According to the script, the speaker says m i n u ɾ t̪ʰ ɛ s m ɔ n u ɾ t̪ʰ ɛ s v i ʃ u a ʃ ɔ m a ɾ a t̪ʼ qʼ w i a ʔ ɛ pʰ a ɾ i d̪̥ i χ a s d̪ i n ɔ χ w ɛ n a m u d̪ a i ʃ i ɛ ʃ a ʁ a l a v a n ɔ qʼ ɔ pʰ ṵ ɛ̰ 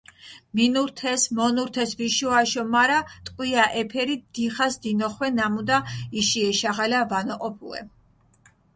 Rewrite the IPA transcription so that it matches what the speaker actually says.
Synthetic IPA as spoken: m i n u ɾ t̪ʰ ɛ s m ɔ n u ɾ t̪ʰ ɛ s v i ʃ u a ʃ ɔ m a ɾ a t̪ʼ qʼ w i a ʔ ɛ pʰ ɛ ɾ i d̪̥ i χ a s d̪ i n ɔ χ w ɛ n a m u d̪ a i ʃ i ɛ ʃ a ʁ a l a v a n ɔ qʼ ɔ pʰ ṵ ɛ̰